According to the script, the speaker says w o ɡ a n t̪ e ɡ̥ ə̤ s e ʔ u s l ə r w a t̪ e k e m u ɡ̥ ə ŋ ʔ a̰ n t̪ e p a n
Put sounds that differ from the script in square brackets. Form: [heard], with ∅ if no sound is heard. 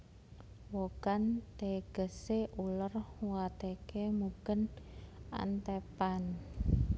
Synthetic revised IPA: w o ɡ a n t̪ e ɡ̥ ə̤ s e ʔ u [∅] l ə r w a t̪ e k e m u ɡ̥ ə [n] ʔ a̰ n t̪ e p a n